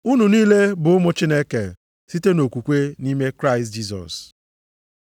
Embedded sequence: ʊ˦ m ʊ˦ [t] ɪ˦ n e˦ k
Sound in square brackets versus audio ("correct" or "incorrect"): incorrect